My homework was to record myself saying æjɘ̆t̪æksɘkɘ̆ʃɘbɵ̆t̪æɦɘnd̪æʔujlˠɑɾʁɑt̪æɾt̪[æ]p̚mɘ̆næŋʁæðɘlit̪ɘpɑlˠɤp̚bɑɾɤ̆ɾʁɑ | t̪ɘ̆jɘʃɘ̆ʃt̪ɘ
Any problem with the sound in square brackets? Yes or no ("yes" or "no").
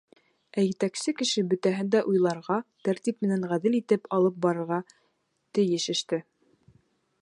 yes